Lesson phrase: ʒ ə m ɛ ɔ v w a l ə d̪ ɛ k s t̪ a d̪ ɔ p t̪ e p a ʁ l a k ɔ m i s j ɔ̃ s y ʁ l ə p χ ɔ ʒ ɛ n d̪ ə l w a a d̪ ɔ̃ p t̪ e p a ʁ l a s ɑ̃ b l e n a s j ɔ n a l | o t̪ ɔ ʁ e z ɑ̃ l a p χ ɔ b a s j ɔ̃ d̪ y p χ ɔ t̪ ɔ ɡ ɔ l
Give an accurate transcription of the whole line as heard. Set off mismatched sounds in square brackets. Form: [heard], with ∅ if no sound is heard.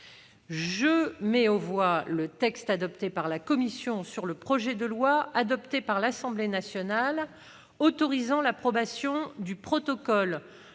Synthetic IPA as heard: ʒ ə m ɛ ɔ v w a l ə [t̪] ɛ k s t̪ a d̪ ɔ p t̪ e p a ʁ l a k ɔ m i s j ɔ̃ s y ʁ l ə p χ ɔ ʒ ɛ [∅] d̪ ə l w a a d̪ [ɔ] p t̪ e p a ʁ l a s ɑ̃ b l e n a s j ɔ n a l | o t̪ ɔ ʁ [i] z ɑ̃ l a p χ ɔ b a s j ɔ̃ d̪ y p χ ɔ t̪ ɔ [k] ɔ l